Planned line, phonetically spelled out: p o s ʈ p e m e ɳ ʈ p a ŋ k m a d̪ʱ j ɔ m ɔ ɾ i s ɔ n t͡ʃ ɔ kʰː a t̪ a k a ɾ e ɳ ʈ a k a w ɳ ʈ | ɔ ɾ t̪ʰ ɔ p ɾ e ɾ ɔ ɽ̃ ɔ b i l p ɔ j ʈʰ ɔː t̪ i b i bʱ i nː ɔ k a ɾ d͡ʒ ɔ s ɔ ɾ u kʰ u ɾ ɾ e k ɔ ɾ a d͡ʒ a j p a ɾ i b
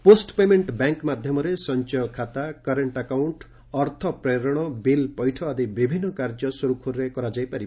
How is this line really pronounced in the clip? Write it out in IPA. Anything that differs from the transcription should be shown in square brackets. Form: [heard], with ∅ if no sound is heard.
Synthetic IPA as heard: p o s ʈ p e m e ɳ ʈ [b] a ŋ k m a d̪ʱ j ɔ m ɔ ɾ [e] s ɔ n t͡ʃ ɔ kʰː a t̪ a k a ɾ e ɳ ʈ a k a w ɳ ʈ | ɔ ɾ t̪ʰ ɔ p ɾ e ɾ ɔ ɽ̃ ɔ b i l p ɔ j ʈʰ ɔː [d̪] i b i bʱ i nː ɔ k a ɾ d͡ʒ ɔ s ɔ ɾ u kʰ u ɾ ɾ e k ɔ ɾ a d͡ʒ a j p a ɾ i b